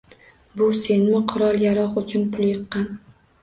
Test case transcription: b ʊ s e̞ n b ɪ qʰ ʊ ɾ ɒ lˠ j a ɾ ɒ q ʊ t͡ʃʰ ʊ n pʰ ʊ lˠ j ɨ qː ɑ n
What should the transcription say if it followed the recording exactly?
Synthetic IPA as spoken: b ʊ s e̞ n m ɪ qʰ ʊ ɾ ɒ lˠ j a ɾ ɒ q ʊ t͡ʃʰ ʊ n pʰ ʊ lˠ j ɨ qː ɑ n

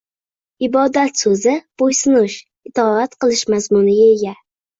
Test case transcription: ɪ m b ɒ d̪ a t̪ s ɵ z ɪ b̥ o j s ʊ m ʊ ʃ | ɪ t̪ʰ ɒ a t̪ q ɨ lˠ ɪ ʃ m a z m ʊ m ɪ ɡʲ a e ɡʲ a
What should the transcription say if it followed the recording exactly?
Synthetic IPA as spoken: ɪ b ɒ d̪ a t̪ s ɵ z ɪ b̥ o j s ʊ n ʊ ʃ | ɪ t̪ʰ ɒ a t̪ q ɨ lˠ ɪ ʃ m a z m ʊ n ɪ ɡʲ a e ɡʲ a

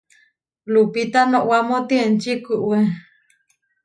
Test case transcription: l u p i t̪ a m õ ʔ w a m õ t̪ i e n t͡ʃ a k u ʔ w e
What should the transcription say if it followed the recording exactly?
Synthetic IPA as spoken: l u p i t̪ a n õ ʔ w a m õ t̪ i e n t͡ʃ i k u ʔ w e

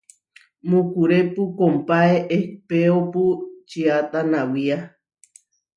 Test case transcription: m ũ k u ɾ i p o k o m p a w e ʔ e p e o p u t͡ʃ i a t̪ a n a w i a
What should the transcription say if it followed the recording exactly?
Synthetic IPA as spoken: m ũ k u ɾ e p u k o m p a e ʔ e p e o p u t͡ʃ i a t̪ a n a w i a

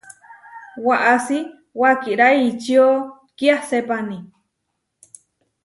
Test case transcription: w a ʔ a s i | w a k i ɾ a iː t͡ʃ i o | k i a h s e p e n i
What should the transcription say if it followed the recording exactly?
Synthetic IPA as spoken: w a ʔ a s i | w a k i ɾ a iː t͡ʃ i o | k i a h s e p a n i

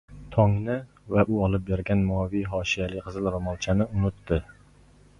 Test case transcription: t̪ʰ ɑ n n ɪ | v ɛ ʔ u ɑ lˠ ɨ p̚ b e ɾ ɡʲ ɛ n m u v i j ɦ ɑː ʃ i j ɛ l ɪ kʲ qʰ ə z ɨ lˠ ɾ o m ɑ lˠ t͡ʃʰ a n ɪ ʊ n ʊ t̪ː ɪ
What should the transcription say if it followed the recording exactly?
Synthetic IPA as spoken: t̪ʰ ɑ ŋ n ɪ | v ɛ ʔ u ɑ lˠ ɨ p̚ b e ɾ ɡʲ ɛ n m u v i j ɦ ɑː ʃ i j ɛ l ɪ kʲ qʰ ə z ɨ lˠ ɾ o m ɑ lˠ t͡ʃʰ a n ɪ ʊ n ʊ t̪ː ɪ

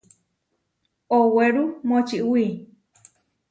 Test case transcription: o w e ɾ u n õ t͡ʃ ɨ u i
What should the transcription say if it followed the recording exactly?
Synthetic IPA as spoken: o w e ɾ u m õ t͡ʃ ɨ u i

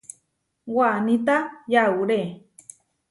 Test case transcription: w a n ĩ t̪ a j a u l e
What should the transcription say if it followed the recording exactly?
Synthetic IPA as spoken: w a n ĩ t̪ a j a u ɾ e

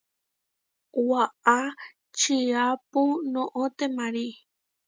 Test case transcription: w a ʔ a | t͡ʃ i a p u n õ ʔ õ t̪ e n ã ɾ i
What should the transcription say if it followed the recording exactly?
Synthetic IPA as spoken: w a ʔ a | t͡ʃ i a p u n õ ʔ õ t̪ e m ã ɾ i

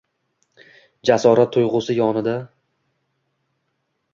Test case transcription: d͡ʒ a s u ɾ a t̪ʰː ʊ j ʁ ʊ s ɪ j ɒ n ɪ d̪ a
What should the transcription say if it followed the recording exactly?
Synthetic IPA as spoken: d͡ʒ a s ɒ ɾ a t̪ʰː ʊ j ʁ ʊ s ɪ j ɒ n ɪ d̪ a

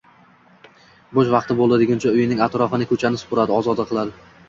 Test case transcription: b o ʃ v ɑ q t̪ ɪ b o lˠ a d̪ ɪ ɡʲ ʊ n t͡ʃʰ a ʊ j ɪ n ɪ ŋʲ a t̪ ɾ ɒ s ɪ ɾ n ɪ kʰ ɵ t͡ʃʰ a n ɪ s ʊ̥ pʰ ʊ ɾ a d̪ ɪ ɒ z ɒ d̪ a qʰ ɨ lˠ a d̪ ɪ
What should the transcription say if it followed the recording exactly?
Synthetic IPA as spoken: b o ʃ v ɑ q t̪ ɪ b o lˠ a d̪ ɪ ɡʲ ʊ n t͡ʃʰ a ʊ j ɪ n ɪ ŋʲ a t̪ ɾ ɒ f ɪ n ɪ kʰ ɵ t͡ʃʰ a n ɪ s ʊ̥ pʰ ʊ ɾ a d̪ ɪ ɒ z ɒ d̪ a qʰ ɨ lˠ a d̪ ɪ

